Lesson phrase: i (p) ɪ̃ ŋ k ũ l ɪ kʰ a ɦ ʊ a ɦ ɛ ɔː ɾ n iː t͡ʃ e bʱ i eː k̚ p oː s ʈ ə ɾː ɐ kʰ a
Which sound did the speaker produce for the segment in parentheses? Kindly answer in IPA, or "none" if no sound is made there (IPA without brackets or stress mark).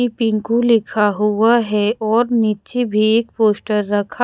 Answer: p